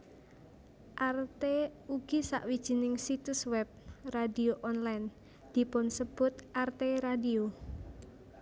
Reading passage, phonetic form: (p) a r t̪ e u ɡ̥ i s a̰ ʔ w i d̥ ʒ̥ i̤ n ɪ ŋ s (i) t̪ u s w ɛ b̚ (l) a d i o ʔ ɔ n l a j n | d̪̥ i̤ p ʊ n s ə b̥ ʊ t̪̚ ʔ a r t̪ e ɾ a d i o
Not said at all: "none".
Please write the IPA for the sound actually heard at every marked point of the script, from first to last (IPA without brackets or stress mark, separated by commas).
ʔ, i, r